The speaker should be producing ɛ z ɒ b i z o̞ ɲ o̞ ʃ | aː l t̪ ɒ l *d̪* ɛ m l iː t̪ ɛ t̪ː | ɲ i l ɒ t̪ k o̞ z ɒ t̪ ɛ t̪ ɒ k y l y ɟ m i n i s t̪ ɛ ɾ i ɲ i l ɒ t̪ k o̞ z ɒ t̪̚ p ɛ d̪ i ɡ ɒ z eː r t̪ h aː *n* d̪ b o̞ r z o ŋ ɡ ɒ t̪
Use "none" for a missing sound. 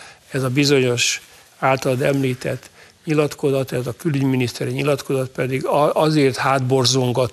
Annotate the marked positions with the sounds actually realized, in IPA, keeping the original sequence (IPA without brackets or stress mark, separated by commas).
d̪, none